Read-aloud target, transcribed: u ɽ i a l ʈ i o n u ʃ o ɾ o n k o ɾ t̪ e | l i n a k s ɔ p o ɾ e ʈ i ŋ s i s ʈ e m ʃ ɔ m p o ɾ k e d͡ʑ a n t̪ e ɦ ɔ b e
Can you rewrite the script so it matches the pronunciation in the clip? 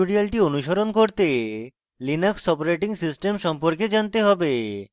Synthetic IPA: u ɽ i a l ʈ i o n u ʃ o ɾ o n k o ɾ t̪ e | l i n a k s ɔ p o ɾ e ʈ i ŋ s i s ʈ e m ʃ ɔ m p o ɾ k e d͡ʑ a n t̪ e ɦ ɔ b e